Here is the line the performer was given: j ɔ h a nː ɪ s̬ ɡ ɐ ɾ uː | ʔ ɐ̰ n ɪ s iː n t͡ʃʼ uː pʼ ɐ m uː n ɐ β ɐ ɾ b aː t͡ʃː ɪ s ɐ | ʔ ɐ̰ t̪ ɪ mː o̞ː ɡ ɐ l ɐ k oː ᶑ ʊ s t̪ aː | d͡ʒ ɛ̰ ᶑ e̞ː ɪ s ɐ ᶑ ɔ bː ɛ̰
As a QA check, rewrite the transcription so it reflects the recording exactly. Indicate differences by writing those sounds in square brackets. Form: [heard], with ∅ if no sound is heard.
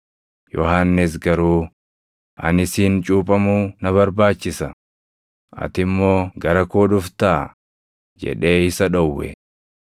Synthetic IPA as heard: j ɔ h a nː ɪ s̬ ɡ ɐ ɾ uː | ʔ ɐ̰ n ɪ s iː n t͡ʃʼ uː pʼ ɐ m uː n ɐ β ɐ ɾ b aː t͡ʃː ɪ s ɐ | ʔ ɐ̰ t̪ ɪ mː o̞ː ɡ ɐ [ɾ] ɐ k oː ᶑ ʊ [f] t̪ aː | d͡ʒ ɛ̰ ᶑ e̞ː ɪ s ɐ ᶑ ɔ [wː] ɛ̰